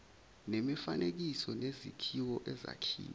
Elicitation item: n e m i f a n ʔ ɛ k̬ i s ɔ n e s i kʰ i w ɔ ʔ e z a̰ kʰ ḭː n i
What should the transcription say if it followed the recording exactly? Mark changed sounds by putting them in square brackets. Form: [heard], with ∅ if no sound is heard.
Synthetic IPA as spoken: n e m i f a n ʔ [e] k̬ i s ɔ n e [z] i kʰ i w ɔ ʔ [ɛ] z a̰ kʰ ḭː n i